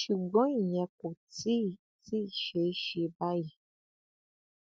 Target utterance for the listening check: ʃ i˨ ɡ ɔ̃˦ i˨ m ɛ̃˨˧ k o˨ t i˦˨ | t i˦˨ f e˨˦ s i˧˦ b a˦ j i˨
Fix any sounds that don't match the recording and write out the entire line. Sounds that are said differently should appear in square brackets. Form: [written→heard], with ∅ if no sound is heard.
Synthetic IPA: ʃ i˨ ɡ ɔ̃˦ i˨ [m→ɲ] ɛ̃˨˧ k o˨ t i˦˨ | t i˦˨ [f→ʃ] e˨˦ [s→ʃ] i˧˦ b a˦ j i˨